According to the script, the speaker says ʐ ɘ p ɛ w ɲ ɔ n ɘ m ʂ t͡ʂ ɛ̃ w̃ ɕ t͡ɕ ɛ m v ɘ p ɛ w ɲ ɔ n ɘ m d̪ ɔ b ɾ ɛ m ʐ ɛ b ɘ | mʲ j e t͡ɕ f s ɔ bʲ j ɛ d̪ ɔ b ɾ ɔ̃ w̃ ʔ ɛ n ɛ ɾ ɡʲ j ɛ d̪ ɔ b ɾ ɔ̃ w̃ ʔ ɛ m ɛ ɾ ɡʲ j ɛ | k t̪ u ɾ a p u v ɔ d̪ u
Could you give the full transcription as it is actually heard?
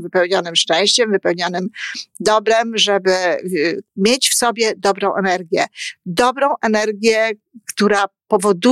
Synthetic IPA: v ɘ p ɛ w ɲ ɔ n ɘ m ʂ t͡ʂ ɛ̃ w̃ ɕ t͡ɕ ɛ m v ɘ p ɛ w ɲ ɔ n ɘ m d̪ ɔ b ɾ ɛ m ʐ ɛ b ɘ | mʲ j e t͡ɕ f s ɔ bʲ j ɛ d̪ ɔ b ɾ ɔ̃ w̃ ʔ ɛ n ɛ ɾ ɡʲ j ɛ d̪ ɔ b ɾ ɔ̃ w̃ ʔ ɛ n ɛ ɾ ɡʲ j ɛ | k t̪ u ɾ a p ɔ v ɔ d̪ u